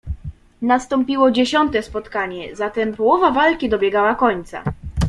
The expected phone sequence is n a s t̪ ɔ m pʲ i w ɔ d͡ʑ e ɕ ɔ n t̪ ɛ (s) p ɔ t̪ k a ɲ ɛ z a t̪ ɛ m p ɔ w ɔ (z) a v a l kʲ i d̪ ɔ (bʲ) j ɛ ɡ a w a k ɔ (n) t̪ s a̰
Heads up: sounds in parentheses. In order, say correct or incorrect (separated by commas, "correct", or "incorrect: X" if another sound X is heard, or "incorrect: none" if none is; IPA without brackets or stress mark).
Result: correct, incorrect: v, correct, incorrect: ɲ